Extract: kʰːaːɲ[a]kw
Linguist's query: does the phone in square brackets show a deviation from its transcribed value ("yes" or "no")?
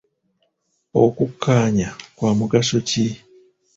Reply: no